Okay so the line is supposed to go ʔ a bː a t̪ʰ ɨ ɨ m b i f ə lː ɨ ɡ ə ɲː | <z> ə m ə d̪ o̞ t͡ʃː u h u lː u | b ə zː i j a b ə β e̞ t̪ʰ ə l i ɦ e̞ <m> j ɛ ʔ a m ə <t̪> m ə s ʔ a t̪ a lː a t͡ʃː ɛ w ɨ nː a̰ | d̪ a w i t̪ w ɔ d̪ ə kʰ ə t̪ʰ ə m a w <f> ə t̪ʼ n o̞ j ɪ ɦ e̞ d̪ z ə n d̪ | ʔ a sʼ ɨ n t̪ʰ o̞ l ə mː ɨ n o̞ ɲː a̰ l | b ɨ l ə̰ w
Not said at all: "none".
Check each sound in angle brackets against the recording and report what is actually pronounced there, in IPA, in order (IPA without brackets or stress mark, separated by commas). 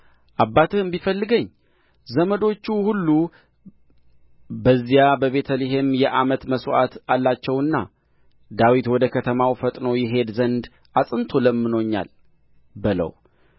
z, m, t̪, f